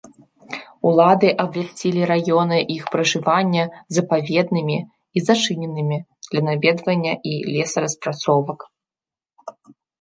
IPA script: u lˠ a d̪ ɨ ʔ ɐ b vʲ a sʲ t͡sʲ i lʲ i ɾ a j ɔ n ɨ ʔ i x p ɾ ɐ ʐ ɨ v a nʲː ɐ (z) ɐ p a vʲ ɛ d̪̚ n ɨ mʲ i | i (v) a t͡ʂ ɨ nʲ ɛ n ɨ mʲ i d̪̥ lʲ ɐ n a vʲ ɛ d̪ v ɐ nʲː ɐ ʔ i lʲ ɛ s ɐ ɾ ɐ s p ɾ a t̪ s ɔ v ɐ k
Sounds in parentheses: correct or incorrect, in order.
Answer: correct, incorrect: z

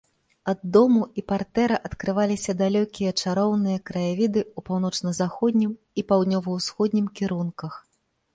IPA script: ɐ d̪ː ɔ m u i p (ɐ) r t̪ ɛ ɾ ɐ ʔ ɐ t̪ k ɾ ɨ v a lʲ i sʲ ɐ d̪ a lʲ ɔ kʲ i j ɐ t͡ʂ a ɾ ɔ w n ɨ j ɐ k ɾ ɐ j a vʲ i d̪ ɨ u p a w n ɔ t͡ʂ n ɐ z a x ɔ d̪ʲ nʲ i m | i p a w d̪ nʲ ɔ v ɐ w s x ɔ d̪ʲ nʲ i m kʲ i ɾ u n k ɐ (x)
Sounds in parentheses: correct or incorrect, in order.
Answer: incorrect: a, correct

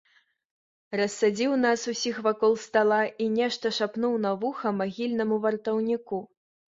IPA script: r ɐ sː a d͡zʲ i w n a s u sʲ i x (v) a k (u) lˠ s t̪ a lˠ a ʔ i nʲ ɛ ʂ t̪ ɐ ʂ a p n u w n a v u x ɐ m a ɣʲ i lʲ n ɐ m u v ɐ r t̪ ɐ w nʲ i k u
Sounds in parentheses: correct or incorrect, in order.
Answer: correct, incorrect: ɔ

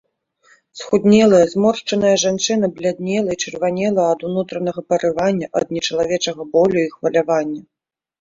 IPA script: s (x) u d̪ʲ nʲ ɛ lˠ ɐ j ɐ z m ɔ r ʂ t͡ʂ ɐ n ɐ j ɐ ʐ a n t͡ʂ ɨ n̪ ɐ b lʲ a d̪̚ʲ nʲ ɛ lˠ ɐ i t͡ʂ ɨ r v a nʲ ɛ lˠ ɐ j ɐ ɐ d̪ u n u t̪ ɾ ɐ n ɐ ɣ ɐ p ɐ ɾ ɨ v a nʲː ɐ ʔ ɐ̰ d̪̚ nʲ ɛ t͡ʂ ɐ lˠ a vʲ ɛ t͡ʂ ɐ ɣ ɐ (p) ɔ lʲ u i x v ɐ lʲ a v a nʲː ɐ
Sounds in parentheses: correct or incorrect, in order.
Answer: correct, incorrect: b

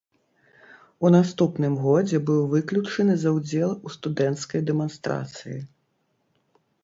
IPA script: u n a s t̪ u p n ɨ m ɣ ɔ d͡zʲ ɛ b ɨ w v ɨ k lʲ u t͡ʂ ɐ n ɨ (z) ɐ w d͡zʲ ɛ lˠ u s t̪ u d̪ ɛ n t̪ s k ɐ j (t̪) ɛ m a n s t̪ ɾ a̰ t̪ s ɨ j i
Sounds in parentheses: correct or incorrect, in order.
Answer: correct, incorrect: d̪

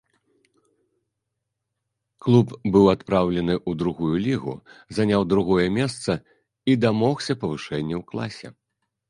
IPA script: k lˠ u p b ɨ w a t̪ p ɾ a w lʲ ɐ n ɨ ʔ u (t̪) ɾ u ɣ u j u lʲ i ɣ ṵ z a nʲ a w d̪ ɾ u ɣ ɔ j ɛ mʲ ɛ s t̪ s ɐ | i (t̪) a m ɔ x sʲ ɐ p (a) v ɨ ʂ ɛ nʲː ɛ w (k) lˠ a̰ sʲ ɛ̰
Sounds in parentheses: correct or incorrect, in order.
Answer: incorrect: d̪, incorrect: d̪, incorrect: ɐ, correct

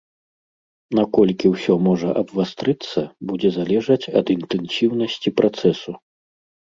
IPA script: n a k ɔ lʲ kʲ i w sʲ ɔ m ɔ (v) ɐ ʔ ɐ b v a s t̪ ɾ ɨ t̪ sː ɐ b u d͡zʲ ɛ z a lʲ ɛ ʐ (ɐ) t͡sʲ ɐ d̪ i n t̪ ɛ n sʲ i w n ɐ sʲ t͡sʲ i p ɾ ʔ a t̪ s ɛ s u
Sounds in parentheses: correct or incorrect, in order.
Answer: incorrect: ʐ, correct

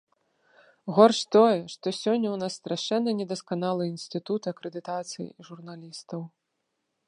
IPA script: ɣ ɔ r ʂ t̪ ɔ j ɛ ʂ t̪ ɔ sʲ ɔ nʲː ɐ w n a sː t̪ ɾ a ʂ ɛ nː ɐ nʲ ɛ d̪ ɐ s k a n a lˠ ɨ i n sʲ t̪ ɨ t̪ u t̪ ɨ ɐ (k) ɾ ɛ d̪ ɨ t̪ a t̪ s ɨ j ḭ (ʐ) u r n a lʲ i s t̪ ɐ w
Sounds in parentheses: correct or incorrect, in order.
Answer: correct, correct

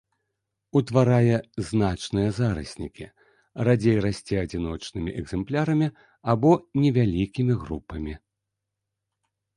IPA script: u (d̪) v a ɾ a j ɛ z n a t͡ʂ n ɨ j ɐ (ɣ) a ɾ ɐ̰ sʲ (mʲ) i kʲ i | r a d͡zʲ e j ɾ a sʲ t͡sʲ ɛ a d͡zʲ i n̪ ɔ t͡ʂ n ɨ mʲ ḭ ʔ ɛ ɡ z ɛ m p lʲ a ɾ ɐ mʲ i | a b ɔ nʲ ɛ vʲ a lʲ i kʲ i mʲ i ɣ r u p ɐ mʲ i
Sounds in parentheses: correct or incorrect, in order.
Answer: incorrect: t̪, incorrect: z, incorrect: nʲ

